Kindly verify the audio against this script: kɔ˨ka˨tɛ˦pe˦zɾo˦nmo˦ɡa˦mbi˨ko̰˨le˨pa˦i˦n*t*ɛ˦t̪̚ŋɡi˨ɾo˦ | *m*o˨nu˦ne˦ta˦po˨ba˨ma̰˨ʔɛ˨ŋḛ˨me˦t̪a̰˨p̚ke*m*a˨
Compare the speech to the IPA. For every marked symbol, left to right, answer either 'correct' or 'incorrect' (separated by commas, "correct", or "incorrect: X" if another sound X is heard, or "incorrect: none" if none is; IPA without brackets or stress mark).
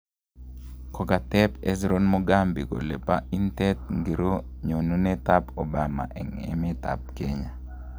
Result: correct, incorrect: ɲ, incorrect: ɲ